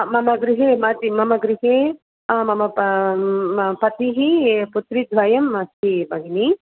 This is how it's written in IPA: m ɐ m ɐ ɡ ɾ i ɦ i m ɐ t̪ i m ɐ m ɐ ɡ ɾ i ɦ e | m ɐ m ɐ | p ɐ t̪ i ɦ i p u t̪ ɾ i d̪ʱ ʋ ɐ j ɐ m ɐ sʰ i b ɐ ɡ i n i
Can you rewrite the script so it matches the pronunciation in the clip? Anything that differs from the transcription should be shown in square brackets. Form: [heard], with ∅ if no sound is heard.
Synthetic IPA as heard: m ɐ m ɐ ɡ ɾ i ɦ [e] m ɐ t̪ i m ɐ m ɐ ɡ ɾ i ɦ e | m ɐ m ɐ | p ɐ t̪ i ɦ i p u t̪ ɾ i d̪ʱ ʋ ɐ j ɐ m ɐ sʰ i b ɐ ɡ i n i